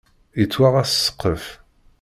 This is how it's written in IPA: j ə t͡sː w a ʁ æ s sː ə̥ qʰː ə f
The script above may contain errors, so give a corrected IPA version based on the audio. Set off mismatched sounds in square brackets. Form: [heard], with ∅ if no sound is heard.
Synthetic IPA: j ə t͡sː w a ʁ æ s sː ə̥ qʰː ə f